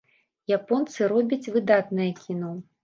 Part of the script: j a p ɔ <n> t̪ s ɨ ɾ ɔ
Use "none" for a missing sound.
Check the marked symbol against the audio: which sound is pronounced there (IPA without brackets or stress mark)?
n